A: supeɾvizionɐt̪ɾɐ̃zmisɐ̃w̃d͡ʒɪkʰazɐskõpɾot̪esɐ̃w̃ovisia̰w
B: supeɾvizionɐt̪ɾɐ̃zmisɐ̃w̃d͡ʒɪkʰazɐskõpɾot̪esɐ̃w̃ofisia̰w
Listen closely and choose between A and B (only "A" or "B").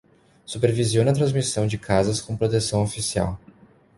B